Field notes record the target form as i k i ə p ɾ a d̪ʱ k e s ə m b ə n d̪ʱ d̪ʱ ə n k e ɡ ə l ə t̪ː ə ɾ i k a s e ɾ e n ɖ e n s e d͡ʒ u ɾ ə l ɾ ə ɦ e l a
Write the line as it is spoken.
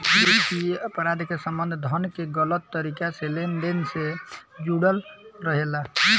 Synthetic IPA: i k i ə p ɾ a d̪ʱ k e s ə m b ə n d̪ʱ d̪ʱ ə n k e ɡ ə l ə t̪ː ə ɾ i k a s e l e n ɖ e n s e d͡ʒ u ɽ ə l ɾ ə ɦ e l a

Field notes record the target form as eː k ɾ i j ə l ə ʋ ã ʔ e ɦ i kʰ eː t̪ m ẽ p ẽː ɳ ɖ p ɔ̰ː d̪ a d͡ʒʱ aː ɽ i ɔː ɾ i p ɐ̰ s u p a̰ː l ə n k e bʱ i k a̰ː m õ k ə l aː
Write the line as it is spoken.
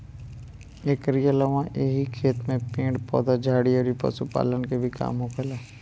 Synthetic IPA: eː k ɾ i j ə l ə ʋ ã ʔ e ɦ i kʰ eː t̪ m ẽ p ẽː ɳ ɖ p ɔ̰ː d̪ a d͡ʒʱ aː ɽ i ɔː ɾ i p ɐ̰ s u p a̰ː l ə n k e bʱ i k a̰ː m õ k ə l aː

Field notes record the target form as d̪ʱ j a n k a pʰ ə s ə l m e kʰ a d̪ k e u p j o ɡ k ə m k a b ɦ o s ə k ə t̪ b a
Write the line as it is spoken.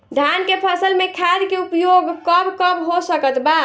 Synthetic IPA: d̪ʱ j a n k e pʰ ə s ə l m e kʰ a d̪ k e u p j o ɡ k ə b k ə b ɦ o s ə k ə t̪ b a

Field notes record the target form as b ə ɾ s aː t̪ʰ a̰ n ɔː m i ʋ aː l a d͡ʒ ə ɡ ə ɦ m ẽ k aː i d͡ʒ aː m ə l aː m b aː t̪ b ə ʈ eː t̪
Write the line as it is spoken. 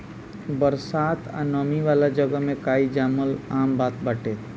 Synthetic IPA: b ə ɾ s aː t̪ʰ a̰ n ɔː m i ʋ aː l a d͡ʒ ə ɡ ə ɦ m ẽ k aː i d͡ʒ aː m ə l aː m b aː t̪ b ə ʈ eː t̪

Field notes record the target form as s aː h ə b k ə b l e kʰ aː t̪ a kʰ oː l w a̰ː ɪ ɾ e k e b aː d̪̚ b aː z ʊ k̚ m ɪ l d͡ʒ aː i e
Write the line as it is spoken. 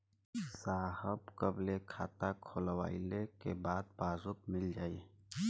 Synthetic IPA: s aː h ə b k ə b l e kʰ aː t̪ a kʰ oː l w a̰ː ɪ l e k e b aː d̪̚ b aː z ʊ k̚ m ɪ l d͡ʒ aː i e

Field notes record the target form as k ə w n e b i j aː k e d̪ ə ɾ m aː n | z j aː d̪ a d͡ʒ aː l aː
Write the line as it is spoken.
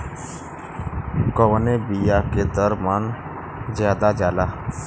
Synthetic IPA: k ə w n e b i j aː k e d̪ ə ɾ m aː n | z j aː d̪ a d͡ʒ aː l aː

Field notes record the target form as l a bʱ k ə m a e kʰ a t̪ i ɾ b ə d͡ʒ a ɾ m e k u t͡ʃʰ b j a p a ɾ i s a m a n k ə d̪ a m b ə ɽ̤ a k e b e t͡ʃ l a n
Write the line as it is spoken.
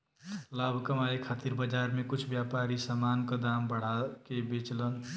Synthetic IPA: l a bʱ k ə m a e kʰ a t̪ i ɾ b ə d͡ʒ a ɾ m e k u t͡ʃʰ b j a p a ɾ i s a m a n k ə d̪ a m b ə ɽ̤ a k e b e t͡ʃ l ə n

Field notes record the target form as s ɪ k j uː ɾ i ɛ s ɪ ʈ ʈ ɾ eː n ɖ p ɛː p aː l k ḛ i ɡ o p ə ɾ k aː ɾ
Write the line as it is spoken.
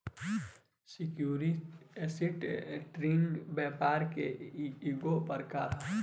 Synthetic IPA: s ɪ k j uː ɾ i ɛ s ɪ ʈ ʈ ɾ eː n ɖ b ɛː p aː ɾ k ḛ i ɡ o p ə ɾ k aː ɾ

